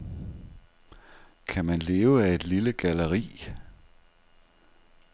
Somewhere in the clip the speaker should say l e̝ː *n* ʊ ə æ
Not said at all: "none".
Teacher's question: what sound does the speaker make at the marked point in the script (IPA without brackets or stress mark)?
none